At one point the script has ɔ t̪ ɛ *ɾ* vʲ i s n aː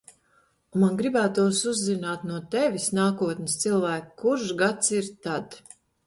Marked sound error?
yes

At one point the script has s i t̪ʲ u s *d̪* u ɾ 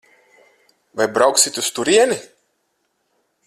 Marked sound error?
yes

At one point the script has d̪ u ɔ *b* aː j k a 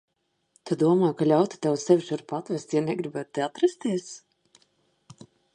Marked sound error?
yes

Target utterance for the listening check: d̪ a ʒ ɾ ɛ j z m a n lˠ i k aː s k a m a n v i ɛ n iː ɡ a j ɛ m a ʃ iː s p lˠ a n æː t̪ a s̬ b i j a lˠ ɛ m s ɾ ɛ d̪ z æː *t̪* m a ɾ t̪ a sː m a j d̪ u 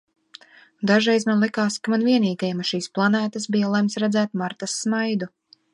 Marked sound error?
no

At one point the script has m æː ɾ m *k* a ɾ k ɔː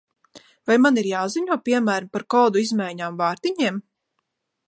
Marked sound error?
yes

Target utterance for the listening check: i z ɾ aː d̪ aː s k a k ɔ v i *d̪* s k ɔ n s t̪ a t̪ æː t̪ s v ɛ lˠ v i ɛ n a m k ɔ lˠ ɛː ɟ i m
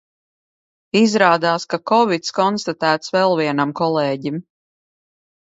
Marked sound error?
yes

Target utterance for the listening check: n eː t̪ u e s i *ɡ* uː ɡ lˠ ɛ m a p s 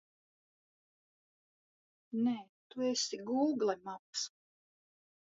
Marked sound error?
no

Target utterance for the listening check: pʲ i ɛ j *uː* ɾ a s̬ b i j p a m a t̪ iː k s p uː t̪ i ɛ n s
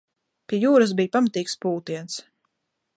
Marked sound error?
no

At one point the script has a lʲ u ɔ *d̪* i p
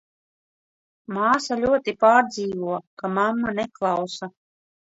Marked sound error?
yes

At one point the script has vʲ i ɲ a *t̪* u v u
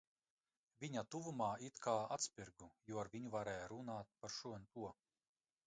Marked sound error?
no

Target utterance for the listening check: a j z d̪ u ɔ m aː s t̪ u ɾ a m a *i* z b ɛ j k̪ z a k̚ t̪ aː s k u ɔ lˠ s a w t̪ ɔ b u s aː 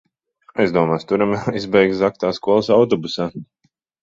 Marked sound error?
no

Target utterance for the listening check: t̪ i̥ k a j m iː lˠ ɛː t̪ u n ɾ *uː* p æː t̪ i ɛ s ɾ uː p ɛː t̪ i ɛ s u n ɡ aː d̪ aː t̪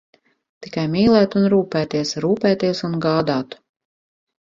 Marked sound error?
no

